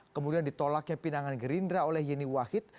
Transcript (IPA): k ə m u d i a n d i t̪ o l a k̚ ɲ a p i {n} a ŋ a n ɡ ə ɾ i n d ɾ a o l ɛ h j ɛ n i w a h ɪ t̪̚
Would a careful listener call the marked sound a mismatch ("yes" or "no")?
no